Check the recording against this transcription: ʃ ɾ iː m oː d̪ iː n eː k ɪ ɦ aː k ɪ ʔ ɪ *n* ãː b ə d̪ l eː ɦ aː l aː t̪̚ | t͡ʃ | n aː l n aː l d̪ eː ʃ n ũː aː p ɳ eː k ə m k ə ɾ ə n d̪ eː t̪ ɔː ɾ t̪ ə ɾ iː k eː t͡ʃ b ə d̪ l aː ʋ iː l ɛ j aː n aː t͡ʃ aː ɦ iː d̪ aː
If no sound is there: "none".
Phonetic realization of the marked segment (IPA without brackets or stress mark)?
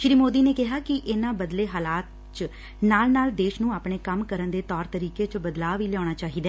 n